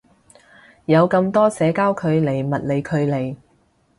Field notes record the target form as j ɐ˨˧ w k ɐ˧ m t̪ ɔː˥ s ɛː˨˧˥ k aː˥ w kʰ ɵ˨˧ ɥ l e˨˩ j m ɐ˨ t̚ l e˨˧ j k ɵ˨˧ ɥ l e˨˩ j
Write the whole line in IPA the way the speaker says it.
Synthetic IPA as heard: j ɐ˨˧ w k ɐ˧ m t̪ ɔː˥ s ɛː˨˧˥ k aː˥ w kʰ ɵ˨˧ ɥ l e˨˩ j m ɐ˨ t̚ l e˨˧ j kʰ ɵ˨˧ ɥ l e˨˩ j